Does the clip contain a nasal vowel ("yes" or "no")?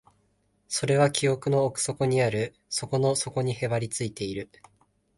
no